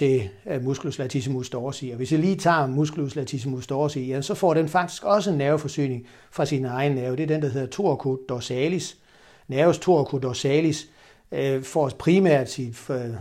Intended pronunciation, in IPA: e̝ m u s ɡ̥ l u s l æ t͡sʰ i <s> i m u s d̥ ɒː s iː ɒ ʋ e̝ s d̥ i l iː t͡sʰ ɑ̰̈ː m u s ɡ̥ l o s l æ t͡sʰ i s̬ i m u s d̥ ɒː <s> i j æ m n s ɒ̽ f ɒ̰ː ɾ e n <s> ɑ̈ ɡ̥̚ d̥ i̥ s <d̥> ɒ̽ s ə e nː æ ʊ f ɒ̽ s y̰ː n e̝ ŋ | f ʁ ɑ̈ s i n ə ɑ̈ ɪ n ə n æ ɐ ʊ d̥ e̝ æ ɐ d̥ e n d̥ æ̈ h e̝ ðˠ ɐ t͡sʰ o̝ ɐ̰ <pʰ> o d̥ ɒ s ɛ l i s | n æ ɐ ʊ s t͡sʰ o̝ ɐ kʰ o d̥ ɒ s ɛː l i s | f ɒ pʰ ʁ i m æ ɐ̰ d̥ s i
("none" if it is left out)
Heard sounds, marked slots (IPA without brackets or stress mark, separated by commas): s, s, f, ɡ̥, kʰ